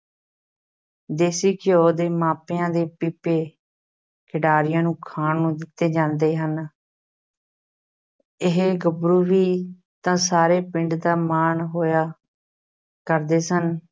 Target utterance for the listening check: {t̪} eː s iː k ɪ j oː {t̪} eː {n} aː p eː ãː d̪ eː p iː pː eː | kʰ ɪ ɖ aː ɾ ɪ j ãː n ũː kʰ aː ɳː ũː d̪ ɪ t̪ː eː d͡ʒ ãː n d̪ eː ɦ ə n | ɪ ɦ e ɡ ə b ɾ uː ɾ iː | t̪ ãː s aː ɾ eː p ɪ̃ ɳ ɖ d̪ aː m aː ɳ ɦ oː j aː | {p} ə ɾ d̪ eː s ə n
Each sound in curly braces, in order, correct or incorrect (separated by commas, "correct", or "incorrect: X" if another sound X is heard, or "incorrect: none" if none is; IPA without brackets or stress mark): incorrect: d̪, incorrect: d̪, incorrect: m, incorrect: k